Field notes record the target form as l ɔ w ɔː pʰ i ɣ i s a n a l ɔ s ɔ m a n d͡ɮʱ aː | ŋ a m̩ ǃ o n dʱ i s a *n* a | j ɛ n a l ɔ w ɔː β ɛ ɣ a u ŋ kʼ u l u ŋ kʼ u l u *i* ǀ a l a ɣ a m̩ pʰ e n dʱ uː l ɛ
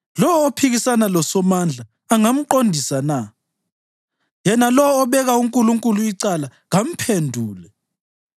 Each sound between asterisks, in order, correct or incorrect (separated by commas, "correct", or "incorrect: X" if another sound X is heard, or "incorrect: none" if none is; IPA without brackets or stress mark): correct, correct